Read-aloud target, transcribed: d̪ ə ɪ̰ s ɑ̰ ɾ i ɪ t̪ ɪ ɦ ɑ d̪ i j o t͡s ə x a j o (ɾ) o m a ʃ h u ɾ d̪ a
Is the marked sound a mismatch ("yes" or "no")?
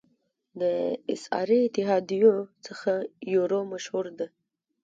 no